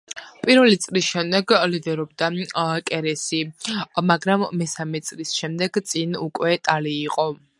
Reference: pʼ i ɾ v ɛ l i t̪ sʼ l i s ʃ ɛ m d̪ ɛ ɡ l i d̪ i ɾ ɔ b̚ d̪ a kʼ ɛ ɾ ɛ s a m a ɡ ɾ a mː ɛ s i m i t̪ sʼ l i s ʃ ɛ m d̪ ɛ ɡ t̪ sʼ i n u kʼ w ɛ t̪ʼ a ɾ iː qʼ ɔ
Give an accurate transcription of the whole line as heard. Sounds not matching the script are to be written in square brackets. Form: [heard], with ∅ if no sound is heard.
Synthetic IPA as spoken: pʼ i ɾ v ɛ l i t̪ sʼ l i s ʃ ɛ m d̪ ɛ ɡ l i d̪ [ɛ] ɾ ɔ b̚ d̪ a kʼ ɛ ɾ ɛ s [i] m a ɡ ɾ a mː ɛ s [a] m [ɛ] t̪ sʼ l i s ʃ ɛ m d̪ ɛ ɡ t̪ sʼ i n u kʼ w ɛ t̪ʼ a [l] iː qʼ ɔ

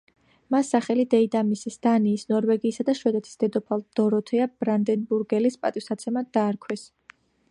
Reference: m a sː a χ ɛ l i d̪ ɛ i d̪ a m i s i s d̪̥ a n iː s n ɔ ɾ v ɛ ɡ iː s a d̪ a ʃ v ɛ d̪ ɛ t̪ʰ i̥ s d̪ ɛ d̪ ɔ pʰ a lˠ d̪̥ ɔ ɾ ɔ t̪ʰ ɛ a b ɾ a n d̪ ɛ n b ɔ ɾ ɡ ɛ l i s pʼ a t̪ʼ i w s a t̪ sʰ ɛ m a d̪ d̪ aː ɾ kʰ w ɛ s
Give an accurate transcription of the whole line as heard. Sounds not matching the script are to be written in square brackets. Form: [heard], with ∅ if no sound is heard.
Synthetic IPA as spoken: m a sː a χ ɛ l i d̪ ɛ i d̪ a m i s i s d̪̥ a n iː s n ɔ ɾ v ɛ ɡ iː s a d̪ a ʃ [w] ɛ d̪ ɛ t̪ʰ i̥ s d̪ ɛ d̪ ɔ pʰ a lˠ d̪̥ ɔ ɾ ɔ t̪ʰ ɛ a b ɾ a n d̪ ɛ n b [u] ɾ ɡ ɛ l i s pʼ a t̪ʼ i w s a t̪ sʰ ɛ m a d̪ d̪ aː ɾ kʰ w ɛ s

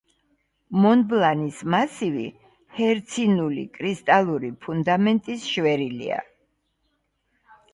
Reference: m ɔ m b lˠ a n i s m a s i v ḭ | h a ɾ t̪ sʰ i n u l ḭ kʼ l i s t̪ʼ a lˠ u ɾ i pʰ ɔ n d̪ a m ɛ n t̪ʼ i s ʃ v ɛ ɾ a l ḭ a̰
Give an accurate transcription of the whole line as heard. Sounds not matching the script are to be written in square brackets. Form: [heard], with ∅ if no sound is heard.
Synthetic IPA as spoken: m ɔ [n] b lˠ a n i s m a s i v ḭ | h [ɛ] ɾ t̪ sʰ i n u l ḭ kʼ [ɾ] i s t̪ʼ a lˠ u ɾ i pʰ [u] n d̪ a m ɛ n t̪ʼ i s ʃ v ɛ ɾ [i] l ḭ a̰

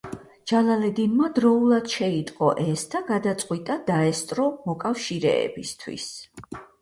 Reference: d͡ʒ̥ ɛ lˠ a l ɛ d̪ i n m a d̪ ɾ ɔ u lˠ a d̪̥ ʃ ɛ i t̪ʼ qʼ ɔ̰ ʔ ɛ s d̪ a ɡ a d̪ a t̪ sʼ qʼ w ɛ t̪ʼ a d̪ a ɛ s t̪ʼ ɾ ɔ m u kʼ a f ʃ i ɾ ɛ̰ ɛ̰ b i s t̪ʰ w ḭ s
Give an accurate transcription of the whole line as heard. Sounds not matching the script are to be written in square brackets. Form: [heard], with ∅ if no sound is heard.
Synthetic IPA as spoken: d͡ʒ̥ [a] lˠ a l ɛ d̪ i n m a d̪ ɾ ɔ u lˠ a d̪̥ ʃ ɛ i t̪ʼ qʼ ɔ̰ ʔ ɛ s d̪ a ɡ a d̪ a t̪ sʼ qʼ w [i] t̪ʼ a d̪ a ɛ s t̪ʼ ɾ ɔ m [ɔ] kʼ a f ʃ i ɾ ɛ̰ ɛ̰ b i s t̪ʰ w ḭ s

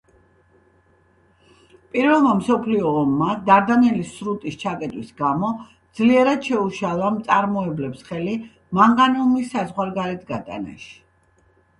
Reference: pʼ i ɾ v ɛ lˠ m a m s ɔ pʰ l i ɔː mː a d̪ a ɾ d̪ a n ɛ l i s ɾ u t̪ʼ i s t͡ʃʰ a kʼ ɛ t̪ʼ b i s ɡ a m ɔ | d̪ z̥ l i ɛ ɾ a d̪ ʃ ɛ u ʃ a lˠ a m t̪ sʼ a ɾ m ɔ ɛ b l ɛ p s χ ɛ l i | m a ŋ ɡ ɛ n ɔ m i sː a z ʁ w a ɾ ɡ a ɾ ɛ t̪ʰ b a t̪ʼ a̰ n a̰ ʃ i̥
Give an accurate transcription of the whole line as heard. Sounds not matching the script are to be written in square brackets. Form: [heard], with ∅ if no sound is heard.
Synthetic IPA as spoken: pʼ i ɾ v ɛ lˠ m a m s ɔ pʰ l i ɔː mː a d̪ a ɾ d̪ a n ɛ l i s ɾ u t̪ʼ i s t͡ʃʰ a kʼ ɛ t̪ʼ [w] i s ɡ a m ɔ | d̪ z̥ l i ɛ ɾ a d̪ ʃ ɛ u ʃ a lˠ a m t̪ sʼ a ɾ m ɔ ɛ b l ɛ p s χ ɛ l i | m a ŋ ɡ [a] n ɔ m i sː a z ʁ w a ɾ ɡ a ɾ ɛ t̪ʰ [ɡ] a t̪ʼ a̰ n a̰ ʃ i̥

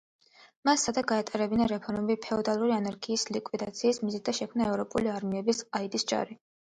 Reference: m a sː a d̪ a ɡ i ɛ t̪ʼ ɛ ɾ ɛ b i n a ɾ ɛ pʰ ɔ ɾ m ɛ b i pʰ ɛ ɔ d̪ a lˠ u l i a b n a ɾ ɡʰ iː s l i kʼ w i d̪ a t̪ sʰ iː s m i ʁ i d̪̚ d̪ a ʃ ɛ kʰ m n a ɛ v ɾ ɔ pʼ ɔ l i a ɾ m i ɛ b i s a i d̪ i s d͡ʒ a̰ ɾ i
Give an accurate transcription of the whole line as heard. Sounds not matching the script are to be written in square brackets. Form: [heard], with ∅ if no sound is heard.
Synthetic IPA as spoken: m a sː a d̪ a ɡ [a] ɛ t̪ʼ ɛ ɾ ɛ b i n a ɾ ɛ pʰ ɔ ɾ m ɛ b i pʰ ɛ ɔ d̪ a lˠ u [ɾ] i a [∅] n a ɾ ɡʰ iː s l i kʼ w i d̪ a t̪ sʰ iː s m i [z] i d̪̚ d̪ a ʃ ɛ kʰ m n a ɛ v ɾ ɔ pʼ [u] l i a ɾ m i ɛ b i s a i d̪ i s d͡ʒ a̰ ɾ i

